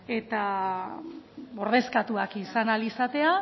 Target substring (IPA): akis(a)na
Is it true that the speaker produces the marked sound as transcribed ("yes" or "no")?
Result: yes